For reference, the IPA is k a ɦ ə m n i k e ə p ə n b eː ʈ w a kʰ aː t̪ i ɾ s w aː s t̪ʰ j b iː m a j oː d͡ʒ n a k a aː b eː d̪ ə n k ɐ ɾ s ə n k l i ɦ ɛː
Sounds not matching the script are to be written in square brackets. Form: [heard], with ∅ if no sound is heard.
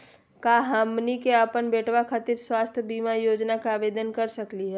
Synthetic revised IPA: k a ɦ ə m n i k e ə p ə n b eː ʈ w a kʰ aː t̪ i ɾ s w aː s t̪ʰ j b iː m a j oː d͡ʒ n a k a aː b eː d̪ ə n k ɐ ɾ s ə [∅] k l i ɦ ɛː